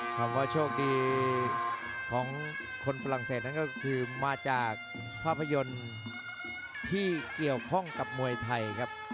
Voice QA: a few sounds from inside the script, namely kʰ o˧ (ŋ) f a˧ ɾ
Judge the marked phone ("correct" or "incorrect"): incorrect